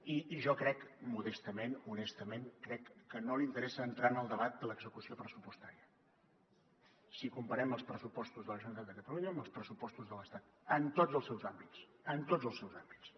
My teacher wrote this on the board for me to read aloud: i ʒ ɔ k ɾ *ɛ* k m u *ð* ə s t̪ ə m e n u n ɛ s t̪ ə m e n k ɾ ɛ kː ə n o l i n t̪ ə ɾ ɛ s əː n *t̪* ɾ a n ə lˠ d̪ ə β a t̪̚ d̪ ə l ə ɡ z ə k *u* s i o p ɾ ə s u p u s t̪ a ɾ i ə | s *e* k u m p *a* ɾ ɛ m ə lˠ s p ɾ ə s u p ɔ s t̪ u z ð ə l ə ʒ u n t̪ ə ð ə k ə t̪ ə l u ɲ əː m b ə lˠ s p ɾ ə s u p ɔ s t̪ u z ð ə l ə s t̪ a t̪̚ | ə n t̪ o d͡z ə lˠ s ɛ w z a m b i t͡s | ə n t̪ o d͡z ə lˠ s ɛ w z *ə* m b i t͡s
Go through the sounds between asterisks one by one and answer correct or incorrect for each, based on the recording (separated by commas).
correct, correct, correct, correct, incorrect, incorrect, incorrect